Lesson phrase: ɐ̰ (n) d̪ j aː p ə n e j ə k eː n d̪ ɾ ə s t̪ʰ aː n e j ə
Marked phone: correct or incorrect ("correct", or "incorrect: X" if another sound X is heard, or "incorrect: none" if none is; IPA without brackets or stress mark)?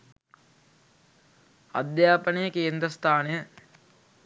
incorrect: none